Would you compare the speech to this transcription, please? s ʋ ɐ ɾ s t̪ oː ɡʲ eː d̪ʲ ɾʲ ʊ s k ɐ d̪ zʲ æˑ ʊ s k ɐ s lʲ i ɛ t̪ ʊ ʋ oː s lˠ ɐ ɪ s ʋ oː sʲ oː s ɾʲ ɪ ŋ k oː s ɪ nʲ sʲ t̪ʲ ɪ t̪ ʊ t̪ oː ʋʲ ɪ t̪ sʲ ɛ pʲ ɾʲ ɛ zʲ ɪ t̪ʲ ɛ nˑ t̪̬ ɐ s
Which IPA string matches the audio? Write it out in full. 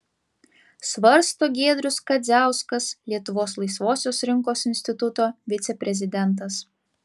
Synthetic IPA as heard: s ʋ ɐ ɾ s t̪ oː ɡʲ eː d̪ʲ ɾʲ ʊ s k ɐ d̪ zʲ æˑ ʊ s k ɐ s lʲ i ɛ t̪ ʊ ʋ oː s lˠ ɐ ɪ s ʋ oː sʲ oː s ɾʲ ɪ ŋ k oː s ɪ nʲ sʲ t̪ʲ ɪ t̪ ʊ t̪ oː ʋʲ ɪ t̪ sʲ ɛ pʲ ɾʲ ɛ zʲ ɪ d̪ʲ ɛ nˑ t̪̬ ɐ s